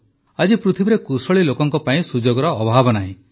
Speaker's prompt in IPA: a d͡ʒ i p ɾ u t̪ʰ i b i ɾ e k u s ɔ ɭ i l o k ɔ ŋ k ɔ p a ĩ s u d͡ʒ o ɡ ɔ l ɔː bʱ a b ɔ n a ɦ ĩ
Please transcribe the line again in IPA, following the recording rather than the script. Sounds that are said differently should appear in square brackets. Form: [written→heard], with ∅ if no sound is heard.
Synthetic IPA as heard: a d͡ʒ i p ɾ u t̪ʰ i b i ɾ e k u s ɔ ɭ i l o k ɔ ŋ k ɔ p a ĩ s u d͡ʒ o ɡ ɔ [l→ɾ] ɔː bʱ a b ɔ n a ɦ ĩ